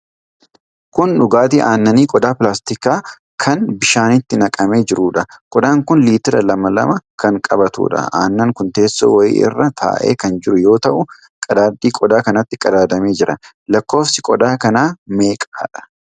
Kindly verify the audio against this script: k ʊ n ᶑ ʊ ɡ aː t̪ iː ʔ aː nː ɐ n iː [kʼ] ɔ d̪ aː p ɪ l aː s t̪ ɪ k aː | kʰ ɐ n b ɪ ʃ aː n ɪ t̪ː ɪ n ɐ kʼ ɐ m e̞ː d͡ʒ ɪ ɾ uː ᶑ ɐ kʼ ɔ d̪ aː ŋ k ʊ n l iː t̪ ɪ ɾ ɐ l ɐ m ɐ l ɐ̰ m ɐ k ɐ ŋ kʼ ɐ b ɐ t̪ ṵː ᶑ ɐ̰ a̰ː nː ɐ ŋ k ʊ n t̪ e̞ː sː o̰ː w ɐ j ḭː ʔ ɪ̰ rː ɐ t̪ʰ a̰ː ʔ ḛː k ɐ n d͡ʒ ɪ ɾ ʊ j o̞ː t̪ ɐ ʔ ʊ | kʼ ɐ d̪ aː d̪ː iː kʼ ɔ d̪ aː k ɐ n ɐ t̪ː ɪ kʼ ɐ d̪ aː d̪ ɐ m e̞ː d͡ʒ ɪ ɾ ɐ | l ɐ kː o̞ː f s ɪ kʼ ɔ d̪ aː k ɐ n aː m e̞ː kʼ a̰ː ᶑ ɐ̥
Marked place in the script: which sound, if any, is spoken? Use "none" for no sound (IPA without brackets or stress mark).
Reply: kʼ